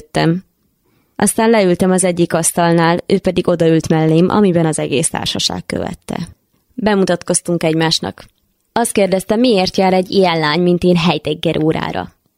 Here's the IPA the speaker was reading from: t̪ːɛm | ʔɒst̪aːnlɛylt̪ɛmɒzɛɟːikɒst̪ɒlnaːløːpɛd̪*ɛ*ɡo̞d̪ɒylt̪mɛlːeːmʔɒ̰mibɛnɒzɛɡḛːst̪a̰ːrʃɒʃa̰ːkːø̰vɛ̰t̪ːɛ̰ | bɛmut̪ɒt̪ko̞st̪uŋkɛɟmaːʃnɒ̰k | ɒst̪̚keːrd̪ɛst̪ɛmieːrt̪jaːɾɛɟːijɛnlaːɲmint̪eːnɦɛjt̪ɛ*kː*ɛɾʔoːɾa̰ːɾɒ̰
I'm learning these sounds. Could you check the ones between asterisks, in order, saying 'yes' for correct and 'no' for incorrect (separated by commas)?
no, no